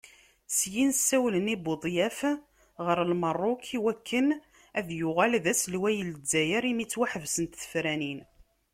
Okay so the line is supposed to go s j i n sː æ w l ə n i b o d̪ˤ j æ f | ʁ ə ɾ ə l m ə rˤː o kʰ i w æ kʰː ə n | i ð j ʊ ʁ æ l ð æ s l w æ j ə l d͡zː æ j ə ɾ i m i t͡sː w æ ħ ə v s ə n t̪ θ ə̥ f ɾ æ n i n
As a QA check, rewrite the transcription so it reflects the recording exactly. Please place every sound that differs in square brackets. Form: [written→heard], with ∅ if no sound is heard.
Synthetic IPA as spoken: s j i n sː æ w l ə n i b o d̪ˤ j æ f | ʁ ə ɾ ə l m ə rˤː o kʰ i w æ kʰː ə n | [i→æ] ð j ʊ ʁ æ l ð æ s l w æ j ə l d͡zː æ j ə ɾ i m i t͡sː w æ ħ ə v s ə n t̪ θ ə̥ f ɾ æ n i n